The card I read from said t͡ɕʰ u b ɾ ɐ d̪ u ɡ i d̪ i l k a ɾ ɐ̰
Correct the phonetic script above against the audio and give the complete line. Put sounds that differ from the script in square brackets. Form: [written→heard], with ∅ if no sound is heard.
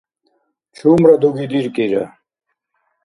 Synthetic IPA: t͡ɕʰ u [b→m] ɾ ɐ d̪ u ɡ i d̪ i [l→ɾ] k [a→i] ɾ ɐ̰